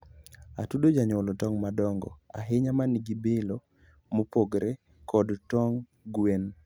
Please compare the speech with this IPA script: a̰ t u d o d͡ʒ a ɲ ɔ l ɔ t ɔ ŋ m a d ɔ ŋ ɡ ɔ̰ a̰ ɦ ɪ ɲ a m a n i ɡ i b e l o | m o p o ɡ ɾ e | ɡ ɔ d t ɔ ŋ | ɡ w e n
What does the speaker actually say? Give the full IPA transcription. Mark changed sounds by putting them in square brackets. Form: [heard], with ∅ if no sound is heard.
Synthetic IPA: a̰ t u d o d͡ʒ a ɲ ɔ l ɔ t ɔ ŋ m a d ɔ ŋ ɡ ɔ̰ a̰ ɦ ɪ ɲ a m a n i ɡ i b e l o | m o p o ɡ ɾ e | [k] ɔ d t ɔ ŋ | ɡ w e n